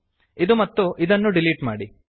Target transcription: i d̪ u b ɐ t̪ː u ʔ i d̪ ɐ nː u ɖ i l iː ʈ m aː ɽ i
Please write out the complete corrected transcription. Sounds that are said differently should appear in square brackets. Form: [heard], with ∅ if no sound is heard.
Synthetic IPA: i d̪ u [m] ɐ t̪ː u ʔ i d̪ ɐ nː u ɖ i l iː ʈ m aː ɽ i